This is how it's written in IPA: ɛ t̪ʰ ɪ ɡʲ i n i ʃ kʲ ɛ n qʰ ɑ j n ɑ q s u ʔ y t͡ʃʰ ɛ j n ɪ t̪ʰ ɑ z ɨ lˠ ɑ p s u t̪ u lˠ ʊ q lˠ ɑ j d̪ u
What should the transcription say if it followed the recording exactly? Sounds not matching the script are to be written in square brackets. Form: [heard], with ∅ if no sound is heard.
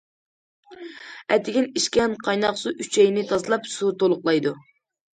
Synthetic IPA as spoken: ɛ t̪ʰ ɪ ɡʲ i n i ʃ kʲ ɛ n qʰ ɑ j n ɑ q s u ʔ y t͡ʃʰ ɛ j n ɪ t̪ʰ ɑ z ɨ lˠ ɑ p s u t̪ [o] lˠ ʊ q lˠ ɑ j d̪ u